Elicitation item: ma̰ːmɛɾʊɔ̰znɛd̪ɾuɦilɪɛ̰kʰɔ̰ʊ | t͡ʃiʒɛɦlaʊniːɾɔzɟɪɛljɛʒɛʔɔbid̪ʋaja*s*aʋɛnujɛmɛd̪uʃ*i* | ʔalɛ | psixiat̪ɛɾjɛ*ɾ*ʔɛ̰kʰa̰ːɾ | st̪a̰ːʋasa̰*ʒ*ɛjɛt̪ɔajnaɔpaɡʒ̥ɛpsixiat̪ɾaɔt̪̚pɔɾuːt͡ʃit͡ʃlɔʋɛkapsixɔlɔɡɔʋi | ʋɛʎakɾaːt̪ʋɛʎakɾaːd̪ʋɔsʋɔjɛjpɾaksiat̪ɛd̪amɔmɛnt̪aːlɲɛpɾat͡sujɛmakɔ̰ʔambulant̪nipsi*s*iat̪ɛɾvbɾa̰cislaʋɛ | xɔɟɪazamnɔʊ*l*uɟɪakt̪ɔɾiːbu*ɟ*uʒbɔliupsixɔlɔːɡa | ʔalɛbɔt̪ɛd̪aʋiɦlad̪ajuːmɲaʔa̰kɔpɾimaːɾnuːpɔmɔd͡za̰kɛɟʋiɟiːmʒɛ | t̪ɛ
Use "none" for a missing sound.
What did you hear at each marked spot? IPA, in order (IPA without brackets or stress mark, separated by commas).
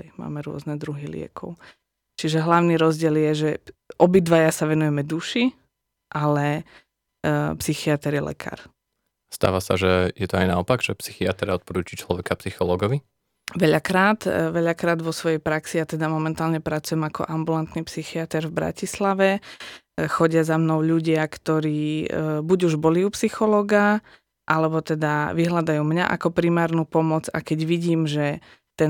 s, i, l, ʒ, x, ʎ, ɟ